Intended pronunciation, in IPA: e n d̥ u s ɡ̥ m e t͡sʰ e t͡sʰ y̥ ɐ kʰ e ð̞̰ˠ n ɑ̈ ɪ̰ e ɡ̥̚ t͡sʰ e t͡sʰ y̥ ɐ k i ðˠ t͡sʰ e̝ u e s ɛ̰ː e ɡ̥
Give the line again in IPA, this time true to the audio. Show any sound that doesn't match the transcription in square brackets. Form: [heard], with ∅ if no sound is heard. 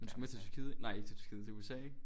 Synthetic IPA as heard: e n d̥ u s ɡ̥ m e t͡sʰ e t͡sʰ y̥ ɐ kʰ [i] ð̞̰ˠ n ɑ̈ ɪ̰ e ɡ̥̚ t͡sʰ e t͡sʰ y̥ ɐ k i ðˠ t͡sʰ e̝ u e s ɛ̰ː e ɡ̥